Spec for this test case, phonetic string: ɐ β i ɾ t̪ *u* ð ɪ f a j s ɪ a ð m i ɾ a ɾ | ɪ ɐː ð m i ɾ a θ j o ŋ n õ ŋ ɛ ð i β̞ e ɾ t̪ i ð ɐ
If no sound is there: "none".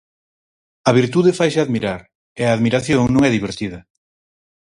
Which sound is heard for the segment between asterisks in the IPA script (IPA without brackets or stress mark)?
u